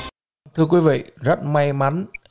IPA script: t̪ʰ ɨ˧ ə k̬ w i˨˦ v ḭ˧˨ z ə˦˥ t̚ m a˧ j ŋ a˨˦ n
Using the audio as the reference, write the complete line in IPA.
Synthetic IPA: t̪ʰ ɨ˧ ə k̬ w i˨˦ v ḭ˧˨ z ə˦˥ t̚ m a˧ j m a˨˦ n